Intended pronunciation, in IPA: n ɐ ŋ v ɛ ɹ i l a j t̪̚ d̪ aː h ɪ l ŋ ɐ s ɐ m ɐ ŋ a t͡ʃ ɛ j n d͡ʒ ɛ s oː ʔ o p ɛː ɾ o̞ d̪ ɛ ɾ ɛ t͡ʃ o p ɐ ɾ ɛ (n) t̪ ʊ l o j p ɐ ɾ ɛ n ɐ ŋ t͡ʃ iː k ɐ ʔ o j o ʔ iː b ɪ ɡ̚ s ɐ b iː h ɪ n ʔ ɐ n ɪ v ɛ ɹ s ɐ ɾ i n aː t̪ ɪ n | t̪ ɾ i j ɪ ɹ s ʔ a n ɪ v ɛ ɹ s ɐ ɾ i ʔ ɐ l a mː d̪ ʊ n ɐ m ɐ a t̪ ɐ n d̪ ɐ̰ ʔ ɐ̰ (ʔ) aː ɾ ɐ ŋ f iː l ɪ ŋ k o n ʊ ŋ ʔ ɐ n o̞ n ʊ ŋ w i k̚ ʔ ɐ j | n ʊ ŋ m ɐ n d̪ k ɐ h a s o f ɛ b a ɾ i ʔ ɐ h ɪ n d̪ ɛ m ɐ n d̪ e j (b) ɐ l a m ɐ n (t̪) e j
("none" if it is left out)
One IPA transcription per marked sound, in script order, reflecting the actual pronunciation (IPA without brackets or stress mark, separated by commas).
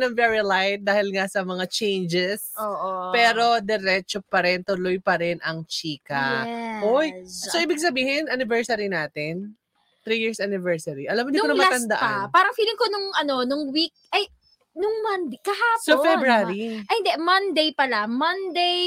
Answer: n, p, p, d̪